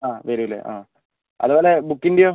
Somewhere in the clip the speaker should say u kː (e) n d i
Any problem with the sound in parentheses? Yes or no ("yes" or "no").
yes